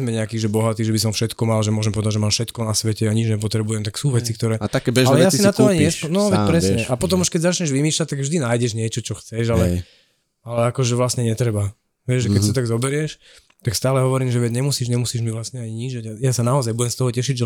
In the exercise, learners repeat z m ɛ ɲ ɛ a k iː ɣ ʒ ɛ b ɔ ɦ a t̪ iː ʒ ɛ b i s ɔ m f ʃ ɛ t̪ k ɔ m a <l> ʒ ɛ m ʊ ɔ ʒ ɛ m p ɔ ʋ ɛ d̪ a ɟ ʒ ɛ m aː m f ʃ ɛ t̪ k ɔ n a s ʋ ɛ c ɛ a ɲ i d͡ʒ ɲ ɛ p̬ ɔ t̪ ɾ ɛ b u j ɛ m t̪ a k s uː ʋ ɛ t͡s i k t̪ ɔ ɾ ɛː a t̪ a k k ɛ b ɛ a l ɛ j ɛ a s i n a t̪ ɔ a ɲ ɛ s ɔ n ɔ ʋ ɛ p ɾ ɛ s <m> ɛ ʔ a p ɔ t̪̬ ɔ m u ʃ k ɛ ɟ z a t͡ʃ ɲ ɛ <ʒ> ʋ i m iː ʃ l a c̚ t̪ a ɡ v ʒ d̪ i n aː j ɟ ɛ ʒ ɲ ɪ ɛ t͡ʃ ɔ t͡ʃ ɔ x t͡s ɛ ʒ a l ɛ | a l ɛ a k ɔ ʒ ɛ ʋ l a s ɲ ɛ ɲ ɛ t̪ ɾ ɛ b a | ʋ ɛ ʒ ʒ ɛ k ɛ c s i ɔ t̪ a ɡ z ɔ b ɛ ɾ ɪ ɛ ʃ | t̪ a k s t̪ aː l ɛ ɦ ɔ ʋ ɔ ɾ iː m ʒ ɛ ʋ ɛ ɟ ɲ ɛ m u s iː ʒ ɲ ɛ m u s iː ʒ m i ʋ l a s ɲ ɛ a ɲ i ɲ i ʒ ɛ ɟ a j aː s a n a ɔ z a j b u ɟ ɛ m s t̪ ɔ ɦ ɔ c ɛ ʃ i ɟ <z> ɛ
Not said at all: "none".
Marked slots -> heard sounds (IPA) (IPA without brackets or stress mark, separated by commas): l, ɲ, ʒ, ʒ